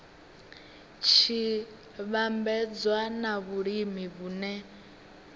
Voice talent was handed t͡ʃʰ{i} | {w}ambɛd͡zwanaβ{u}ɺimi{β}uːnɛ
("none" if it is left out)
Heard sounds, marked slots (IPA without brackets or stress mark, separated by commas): i, β, u, β